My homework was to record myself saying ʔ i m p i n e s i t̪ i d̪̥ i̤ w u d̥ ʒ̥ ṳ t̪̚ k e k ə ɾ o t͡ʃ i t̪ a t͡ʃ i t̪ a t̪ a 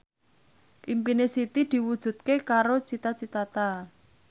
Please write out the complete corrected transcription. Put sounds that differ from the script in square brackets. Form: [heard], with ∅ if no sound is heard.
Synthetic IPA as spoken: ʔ i m p i n e s i t̪ i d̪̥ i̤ w u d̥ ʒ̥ ṳ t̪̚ k e k [a] ɾ o t͡ʃ i t̪ a t͡ʃ i t̪ a t̪ a